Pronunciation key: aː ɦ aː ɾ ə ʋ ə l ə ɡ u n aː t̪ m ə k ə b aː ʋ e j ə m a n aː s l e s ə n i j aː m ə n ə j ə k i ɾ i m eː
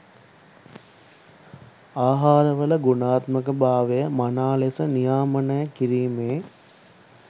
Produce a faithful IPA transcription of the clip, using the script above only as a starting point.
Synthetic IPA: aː ɦ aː ɾ ə ʋ ə l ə ɡ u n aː t̪ m ə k ə b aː ʋ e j ə m a n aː l e s ə n i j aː m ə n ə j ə k i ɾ iː m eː